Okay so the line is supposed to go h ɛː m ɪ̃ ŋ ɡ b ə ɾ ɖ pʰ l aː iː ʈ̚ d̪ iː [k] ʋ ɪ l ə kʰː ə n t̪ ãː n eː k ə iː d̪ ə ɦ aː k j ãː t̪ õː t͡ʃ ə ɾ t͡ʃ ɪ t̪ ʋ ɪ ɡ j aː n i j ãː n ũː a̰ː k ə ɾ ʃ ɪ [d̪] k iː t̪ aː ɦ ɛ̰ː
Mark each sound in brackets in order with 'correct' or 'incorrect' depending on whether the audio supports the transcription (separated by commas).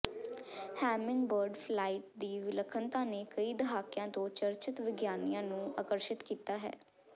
incorrect, incorrect